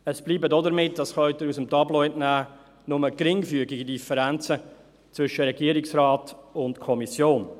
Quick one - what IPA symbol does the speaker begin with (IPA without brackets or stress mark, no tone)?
ə